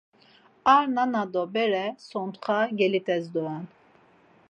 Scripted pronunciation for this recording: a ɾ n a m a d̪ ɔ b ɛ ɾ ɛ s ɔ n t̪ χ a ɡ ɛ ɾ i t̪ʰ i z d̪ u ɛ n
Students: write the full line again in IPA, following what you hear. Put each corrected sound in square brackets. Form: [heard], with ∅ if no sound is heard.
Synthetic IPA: a ɾ n a [n] a d̪ ɔ b ɛ ɾ ɛ s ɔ n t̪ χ a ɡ ɛ [l] i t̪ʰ [ɛ] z d̪ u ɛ n